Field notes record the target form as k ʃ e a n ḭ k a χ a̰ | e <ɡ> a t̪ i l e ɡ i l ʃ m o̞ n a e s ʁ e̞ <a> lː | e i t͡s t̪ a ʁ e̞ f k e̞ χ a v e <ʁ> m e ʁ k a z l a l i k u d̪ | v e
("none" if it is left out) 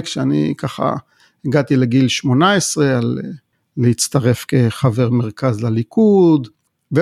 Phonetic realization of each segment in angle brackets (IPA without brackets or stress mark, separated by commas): ɡ, a, ʁ